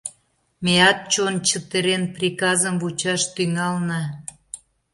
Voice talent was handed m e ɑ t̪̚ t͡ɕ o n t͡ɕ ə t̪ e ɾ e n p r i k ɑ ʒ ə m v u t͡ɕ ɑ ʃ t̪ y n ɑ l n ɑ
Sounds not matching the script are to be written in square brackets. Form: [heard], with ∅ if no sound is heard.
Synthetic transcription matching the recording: m e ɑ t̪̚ t͡ɕ o n t͡ɕ ə t̪ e ɾ e n p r i k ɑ [z] ə m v u t͡ɕ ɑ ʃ t̪ y [ŋ] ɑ l n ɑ